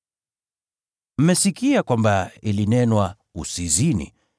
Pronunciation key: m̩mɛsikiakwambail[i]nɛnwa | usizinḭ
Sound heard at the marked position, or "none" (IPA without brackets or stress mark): i